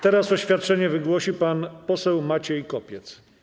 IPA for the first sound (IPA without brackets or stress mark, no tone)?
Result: t̪